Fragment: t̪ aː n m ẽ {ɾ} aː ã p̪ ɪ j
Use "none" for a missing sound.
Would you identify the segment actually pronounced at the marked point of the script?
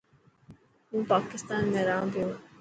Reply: ɾ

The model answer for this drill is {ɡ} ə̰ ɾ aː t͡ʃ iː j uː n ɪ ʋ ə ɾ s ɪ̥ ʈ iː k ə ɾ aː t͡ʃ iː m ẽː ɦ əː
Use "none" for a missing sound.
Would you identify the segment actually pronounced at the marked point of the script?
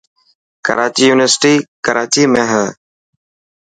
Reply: k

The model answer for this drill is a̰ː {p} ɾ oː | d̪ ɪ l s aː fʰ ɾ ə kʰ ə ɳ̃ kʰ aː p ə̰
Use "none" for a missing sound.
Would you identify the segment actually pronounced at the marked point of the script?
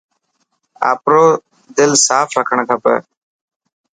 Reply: p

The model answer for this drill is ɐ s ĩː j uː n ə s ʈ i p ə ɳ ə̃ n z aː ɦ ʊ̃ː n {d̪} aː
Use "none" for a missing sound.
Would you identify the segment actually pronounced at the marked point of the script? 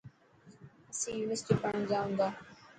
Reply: d̪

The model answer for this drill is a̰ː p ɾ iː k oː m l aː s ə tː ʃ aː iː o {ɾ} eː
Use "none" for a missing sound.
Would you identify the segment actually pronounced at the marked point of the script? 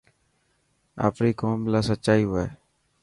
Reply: none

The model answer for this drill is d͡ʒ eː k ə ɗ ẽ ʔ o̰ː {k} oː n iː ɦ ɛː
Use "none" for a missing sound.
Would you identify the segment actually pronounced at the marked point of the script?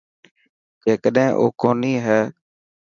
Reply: k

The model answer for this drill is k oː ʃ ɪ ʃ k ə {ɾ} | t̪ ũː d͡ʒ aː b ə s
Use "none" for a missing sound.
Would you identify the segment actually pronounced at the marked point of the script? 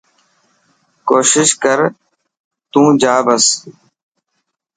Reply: ɾ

